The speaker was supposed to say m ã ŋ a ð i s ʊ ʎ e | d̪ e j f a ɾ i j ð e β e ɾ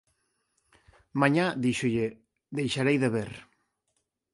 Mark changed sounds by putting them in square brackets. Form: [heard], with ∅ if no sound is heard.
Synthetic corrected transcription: m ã [ɲ] a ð i [ʃ] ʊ ʎ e | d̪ e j [ʃ] a ɾ [e] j ð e β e ɾ